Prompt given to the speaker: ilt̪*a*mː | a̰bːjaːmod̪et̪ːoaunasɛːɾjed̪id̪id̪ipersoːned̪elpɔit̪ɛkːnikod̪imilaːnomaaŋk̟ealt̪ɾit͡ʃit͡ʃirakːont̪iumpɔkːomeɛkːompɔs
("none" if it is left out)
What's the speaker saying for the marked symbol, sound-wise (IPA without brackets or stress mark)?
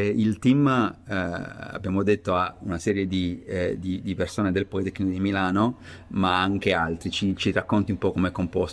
i